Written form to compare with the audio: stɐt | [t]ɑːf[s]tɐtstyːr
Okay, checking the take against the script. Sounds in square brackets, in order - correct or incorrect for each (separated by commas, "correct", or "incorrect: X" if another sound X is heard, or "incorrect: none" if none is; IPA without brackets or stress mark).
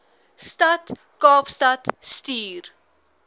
incorrect: k, correct